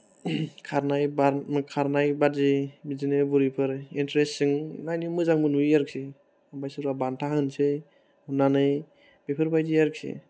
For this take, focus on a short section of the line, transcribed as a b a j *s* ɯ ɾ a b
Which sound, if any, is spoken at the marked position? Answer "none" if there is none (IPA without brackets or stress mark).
s